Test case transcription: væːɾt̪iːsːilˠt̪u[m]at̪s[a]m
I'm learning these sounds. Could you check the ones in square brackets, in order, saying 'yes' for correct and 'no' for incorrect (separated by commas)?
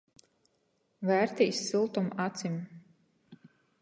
yes, no